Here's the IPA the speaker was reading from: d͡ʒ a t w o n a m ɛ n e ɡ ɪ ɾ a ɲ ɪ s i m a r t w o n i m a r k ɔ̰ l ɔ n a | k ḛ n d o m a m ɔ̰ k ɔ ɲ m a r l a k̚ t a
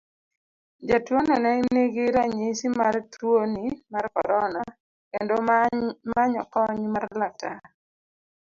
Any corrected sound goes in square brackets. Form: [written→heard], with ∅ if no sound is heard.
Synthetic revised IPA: d͡ʒ a t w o n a [m→n] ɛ n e ɡ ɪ ɾ a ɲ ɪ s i m a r t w o n i m a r k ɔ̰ [l→ɾ] ɔ n a | k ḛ n d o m a [m→ɲ] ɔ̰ k ɔ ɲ m a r l a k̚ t a